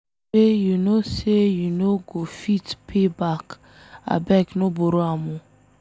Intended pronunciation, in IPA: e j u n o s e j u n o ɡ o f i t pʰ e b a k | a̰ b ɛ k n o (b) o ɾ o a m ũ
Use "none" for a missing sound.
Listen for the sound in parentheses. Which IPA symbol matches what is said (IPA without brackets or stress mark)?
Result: b